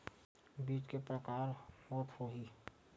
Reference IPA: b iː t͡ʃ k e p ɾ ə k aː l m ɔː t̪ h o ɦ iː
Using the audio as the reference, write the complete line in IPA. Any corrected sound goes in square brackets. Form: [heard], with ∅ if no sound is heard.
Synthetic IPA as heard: b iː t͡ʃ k e p ɾ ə k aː [ɾ] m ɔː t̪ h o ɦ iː